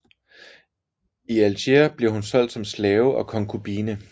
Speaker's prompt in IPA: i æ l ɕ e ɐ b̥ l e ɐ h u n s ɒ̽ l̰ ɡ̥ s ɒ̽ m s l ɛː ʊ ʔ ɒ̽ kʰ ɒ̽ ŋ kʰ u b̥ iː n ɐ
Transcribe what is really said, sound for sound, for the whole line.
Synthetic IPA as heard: i æ l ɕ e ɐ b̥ l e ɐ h u n s ɒ̽ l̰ d̥ s ɒ̽ m s l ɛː ʊ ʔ ɒ̽ kʰ ɒ̽ ŋ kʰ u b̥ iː n ə